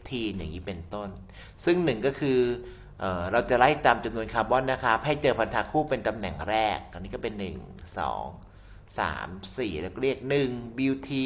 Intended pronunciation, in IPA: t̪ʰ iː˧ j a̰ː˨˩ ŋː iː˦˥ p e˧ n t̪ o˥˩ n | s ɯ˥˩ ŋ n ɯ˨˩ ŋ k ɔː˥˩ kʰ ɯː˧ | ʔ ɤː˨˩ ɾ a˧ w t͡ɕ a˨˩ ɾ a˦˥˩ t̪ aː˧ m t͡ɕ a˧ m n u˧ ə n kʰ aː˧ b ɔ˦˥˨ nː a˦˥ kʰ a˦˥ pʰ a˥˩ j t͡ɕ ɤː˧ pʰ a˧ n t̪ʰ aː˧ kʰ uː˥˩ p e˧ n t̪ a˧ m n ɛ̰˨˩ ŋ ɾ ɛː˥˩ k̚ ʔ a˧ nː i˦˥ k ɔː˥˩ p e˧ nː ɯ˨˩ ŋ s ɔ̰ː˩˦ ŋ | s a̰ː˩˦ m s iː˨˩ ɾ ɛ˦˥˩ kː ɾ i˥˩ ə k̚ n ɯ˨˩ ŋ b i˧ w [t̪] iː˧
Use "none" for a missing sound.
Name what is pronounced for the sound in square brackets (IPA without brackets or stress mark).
t̪ʰ